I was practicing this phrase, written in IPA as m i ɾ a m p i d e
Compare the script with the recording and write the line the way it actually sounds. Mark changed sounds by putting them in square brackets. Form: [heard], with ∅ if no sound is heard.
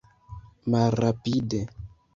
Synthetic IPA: m [a] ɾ a [∅] p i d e